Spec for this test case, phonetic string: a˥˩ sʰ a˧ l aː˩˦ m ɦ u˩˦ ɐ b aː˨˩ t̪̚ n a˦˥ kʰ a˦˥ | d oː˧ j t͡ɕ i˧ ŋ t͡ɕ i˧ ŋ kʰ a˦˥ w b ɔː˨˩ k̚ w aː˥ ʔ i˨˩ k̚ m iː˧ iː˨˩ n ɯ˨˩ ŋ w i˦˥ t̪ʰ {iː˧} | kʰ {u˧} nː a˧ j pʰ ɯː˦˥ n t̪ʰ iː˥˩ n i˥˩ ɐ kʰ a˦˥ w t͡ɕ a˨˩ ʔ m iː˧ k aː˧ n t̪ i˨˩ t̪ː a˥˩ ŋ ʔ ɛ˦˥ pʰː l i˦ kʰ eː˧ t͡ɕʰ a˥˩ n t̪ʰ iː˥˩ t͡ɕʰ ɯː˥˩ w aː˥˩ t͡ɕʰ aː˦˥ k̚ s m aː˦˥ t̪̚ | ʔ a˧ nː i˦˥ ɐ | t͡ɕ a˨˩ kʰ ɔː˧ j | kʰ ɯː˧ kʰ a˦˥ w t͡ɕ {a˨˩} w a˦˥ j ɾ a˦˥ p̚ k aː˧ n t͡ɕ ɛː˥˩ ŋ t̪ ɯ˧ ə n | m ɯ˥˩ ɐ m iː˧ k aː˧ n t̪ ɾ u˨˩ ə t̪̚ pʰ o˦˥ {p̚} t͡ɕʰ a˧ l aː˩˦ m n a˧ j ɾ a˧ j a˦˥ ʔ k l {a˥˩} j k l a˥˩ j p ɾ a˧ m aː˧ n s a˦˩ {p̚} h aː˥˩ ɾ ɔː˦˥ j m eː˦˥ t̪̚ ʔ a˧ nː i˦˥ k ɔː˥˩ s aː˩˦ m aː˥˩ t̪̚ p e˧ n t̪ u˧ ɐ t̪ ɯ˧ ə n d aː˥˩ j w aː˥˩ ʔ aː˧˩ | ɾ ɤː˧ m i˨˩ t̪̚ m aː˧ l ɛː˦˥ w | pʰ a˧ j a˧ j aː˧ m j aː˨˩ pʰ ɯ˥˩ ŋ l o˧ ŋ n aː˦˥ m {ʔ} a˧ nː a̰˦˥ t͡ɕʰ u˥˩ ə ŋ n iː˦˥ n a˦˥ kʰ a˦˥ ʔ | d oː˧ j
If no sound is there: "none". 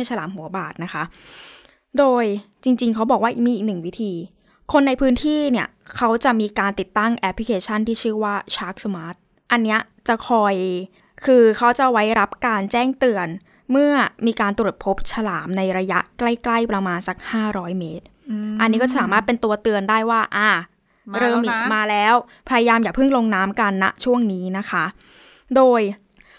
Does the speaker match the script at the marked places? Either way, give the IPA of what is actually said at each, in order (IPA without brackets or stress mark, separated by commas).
iː˧, o˧, a˨˩, p̚, a˥˩, k̚, k